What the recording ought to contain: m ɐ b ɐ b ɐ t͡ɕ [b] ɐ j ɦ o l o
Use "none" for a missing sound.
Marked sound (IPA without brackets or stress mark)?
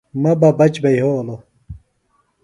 b